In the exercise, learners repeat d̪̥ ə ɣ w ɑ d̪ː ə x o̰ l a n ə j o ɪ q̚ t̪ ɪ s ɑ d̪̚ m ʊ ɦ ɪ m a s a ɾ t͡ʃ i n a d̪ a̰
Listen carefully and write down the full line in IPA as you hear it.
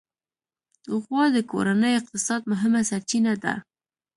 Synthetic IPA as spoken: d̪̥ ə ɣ w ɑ d̪ ə k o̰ ɾ a n ə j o ɪ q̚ t̪ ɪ s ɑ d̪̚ m ʊ ɦ ɪ m a s a ɾ t͡ʃ i n a d̪ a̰